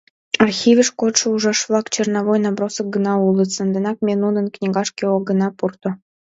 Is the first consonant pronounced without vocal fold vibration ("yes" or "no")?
no